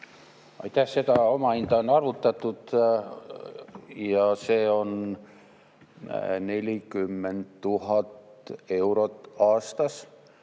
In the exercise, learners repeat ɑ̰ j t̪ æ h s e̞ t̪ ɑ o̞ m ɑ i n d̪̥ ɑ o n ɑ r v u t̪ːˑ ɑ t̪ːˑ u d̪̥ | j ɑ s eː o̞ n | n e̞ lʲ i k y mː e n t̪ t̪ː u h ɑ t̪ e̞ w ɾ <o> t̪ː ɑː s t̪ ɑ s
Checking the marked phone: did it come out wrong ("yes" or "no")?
no